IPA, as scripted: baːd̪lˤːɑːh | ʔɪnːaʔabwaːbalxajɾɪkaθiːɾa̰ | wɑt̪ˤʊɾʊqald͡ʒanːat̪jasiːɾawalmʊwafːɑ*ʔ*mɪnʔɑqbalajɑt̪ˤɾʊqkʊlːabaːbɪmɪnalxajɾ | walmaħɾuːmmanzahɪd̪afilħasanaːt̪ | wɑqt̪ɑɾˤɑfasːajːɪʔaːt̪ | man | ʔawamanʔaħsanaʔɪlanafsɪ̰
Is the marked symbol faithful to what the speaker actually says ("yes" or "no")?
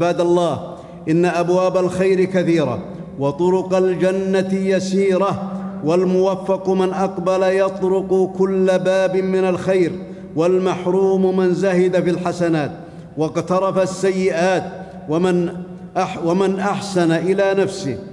no